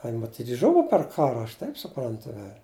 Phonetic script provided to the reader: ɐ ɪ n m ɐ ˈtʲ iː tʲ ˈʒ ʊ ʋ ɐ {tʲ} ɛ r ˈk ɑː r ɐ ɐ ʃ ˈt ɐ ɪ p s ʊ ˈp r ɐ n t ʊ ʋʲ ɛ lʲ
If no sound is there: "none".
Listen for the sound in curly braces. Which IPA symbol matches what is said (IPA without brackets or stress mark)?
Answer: pʲ